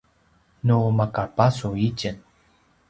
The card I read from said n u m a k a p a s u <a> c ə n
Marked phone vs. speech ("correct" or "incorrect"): incorrect